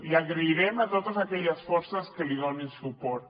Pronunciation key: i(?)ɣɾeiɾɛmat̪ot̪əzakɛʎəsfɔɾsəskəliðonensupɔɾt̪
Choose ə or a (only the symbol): a